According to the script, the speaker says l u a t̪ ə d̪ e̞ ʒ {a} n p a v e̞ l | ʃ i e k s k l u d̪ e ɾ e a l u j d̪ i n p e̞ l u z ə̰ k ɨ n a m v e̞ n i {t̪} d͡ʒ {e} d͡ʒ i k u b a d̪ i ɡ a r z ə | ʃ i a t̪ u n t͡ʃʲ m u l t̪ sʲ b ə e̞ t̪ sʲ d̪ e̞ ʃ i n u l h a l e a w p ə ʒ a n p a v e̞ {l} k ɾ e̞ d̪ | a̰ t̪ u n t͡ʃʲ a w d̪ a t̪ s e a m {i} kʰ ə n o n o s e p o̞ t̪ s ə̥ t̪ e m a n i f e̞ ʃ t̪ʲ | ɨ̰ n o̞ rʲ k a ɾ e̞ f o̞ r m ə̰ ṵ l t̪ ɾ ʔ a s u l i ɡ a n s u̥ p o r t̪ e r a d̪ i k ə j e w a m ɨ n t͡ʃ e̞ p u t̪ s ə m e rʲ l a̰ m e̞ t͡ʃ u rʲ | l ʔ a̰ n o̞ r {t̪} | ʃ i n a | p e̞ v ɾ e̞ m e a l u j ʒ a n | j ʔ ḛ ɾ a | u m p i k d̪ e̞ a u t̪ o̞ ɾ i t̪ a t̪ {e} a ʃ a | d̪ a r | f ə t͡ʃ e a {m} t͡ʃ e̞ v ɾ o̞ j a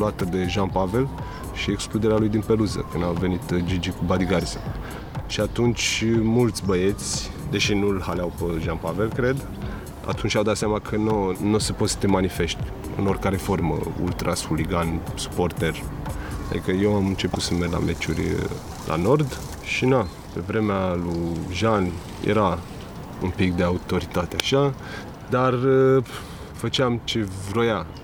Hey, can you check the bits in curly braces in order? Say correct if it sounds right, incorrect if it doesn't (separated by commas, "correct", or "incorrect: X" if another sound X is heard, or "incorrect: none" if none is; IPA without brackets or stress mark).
correct, correct, incorrect: i, correct, incorrect: a, incorrect: d̪, correct, correct